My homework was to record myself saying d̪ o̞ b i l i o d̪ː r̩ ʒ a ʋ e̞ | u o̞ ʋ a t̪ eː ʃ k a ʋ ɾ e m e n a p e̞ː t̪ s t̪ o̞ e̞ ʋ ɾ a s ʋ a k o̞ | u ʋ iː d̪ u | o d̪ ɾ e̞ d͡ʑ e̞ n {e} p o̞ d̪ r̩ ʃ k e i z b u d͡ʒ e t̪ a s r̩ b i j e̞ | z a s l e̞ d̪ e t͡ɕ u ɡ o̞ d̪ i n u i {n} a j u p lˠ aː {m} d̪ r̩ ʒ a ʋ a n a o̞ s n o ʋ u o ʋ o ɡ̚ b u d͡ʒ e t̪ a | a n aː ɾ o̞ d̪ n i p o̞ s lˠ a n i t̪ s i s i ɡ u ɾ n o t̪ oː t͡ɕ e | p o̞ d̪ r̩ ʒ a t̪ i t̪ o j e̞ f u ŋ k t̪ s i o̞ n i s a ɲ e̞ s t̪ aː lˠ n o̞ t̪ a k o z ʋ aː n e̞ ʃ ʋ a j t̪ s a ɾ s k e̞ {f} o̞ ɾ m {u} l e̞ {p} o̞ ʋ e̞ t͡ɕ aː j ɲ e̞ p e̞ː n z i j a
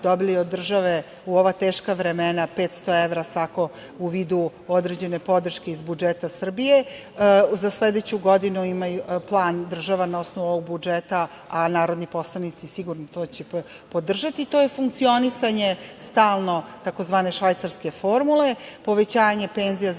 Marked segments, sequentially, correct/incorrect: correct, incorrect, incorrect, correct, correct, correct

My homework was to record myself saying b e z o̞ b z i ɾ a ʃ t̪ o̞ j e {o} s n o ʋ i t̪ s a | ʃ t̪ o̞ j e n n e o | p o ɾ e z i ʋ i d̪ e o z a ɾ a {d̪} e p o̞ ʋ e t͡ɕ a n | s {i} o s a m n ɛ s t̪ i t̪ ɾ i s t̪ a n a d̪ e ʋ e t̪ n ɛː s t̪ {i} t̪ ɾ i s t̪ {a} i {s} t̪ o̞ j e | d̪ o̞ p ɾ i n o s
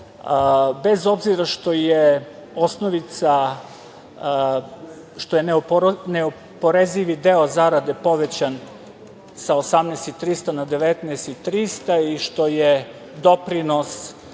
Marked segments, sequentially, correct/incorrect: correct, correct, incorrect, correct, correct, incorrect

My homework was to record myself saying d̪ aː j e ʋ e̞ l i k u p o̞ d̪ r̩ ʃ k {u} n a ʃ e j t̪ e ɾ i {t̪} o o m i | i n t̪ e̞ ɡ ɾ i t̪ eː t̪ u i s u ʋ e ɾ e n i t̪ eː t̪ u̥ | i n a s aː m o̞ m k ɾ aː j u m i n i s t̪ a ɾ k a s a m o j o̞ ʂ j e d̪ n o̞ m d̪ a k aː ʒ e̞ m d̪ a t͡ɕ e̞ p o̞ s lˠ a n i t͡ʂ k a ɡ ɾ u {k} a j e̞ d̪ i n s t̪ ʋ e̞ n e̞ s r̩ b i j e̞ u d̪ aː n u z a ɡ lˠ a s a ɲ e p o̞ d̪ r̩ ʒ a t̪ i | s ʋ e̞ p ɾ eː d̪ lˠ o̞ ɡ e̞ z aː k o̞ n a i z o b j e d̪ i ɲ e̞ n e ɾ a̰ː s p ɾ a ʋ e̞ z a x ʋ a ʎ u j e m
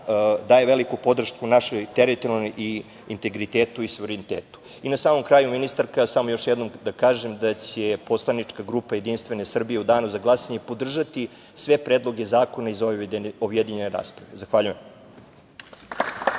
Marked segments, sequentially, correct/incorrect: correct, correct, incorrect

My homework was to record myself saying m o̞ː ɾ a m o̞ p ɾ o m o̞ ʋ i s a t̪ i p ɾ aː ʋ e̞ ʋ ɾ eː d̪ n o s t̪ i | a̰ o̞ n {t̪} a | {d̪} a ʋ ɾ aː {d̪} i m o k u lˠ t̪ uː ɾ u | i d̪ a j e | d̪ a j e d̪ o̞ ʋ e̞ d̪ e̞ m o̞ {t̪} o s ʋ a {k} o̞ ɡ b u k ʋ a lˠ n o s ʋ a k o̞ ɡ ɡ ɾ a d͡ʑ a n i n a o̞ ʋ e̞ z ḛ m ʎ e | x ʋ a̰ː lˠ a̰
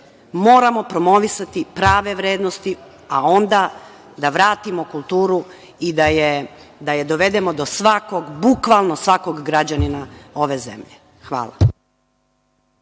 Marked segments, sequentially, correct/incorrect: incorrect, correct, incorrect, incorrect, correct

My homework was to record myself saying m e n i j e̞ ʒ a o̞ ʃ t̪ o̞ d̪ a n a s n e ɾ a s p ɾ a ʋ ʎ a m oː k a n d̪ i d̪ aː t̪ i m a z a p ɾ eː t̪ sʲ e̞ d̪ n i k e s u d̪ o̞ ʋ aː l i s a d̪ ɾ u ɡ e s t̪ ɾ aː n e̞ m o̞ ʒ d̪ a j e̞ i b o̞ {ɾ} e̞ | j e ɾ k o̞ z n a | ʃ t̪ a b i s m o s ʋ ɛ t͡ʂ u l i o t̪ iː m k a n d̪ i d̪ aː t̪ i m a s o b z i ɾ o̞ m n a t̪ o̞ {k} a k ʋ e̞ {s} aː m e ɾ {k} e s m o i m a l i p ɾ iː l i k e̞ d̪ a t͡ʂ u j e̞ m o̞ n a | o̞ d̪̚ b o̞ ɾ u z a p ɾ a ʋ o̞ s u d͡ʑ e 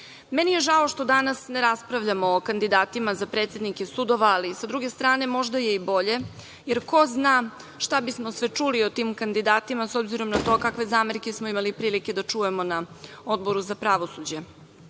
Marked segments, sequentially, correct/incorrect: incorrect, correct, incorrect, correct

